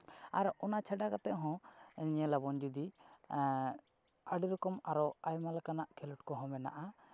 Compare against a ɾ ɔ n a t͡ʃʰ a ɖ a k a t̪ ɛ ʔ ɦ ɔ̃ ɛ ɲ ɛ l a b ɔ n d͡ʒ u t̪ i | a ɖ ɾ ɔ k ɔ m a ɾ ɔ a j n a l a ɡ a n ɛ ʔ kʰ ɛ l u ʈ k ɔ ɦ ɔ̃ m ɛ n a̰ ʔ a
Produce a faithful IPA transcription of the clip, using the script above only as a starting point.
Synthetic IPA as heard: a ɾ ɔ n a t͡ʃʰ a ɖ a k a t̪ ɛ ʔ ɦ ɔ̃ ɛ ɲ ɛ l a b ɔ n d͡ʒ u d̪ i | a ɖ ɾ ɔ k ɔ m a ɾ ɔ a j m a l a k a n a ʔ kʰ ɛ l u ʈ k ɔ ɦ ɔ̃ m ɛ n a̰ ʔ a